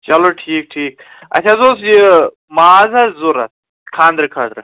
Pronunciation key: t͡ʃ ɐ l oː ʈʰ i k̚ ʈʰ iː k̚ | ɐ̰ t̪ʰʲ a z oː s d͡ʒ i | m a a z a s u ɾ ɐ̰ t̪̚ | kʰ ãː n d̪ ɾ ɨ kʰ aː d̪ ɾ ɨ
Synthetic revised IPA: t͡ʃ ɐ l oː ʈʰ iː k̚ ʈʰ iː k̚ | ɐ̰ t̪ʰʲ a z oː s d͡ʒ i | m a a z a z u ɾ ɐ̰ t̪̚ | kʰ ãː n d̪ ɾ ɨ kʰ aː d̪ ɾ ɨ